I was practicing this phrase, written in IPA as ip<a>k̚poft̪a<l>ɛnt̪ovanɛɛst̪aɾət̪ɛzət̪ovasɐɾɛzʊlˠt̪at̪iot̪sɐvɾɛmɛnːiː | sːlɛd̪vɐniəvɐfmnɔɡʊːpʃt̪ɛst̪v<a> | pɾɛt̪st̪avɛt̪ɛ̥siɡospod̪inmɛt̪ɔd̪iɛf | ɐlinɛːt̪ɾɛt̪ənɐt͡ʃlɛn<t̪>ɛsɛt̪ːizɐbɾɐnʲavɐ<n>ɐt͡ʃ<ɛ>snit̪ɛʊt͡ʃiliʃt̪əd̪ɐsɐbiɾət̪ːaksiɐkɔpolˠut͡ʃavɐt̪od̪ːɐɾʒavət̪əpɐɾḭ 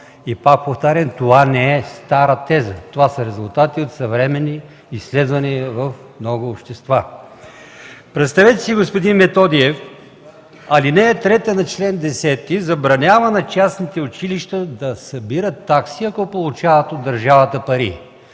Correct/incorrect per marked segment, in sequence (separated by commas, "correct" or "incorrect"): correct, incorrect, correct, incorrect, correct, incorrect